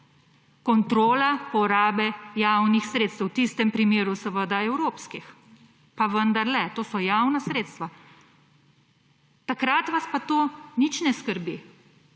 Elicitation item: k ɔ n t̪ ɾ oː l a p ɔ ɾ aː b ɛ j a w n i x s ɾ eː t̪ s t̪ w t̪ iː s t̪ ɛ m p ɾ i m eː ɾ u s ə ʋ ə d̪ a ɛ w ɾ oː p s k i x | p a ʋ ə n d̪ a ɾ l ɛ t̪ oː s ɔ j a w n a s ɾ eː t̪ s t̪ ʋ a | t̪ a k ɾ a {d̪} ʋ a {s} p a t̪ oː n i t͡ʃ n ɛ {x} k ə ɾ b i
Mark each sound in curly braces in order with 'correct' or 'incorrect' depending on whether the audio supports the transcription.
incorrect: t̪, correct, incorrect: s

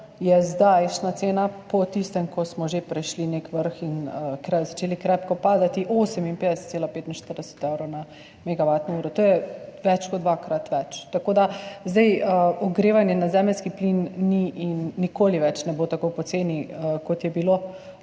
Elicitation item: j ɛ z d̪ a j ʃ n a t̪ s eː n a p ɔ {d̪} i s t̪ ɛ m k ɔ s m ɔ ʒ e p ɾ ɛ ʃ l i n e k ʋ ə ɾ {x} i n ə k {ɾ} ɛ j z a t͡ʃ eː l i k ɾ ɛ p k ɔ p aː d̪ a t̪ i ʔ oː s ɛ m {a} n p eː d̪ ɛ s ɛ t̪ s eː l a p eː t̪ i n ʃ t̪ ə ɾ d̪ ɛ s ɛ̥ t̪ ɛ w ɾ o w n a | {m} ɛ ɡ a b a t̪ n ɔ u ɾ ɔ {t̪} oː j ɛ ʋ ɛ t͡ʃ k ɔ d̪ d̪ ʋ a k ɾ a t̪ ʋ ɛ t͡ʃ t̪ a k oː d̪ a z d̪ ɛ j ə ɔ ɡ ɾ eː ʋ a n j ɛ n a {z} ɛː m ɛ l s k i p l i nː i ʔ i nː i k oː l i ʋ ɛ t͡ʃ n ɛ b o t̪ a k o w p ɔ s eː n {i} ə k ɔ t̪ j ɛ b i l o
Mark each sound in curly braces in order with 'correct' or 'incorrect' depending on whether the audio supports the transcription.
incorrect: t̪, correct, correct, incorrect: i, correct, correct, correct, correct

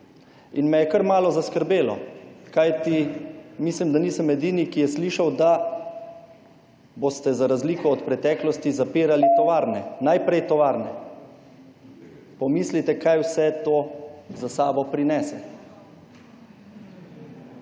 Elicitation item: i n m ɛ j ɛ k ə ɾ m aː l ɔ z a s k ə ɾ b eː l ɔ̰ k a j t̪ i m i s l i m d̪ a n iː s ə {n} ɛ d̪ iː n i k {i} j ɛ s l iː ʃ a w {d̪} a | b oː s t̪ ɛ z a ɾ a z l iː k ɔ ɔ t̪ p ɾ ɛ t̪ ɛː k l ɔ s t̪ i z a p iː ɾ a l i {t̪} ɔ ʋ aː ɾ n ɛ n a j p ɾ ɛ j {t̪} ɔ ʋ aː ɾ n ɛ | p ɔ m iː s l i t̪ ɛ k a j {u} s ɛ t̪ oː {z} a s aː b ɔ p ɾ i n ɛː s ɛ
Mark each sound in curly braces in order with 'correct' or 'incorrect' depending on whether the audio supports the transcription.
incorrect: m, correct, correct, correct, correct, incorrect: w, correct

